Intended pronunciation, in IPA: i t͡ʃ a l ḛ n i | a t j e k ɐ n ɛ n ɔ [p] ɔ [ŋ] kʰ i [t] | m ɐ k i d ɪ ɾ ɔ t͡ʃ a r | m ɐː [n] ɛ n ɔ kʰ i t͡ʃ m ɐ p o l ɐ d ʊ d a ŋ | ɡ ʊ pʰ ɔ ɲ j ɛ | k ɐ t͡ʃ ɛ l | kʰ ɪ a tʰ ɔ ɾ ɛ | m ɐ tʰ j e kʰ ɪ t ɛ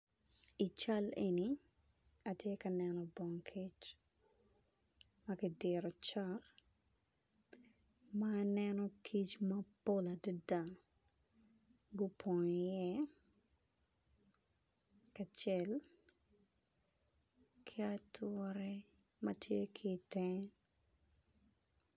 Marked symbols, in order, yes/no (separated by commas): no, yes, no, yes